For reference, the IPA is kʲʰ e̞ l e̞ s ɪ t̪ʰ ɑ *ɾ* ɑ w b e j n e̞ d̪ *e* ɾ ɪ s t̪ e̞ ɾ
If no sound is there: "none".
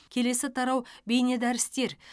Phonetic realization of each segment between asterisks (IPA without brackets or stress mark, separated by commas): ɾ, æ